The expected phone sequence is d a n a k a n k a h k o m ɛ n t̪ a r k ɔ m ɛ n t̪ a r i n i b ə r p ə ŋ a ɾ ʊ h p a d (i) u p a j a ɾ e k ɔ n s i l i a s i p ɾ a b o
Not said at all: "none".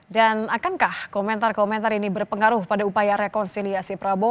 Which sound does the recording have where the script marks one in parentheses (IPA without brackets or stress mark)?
a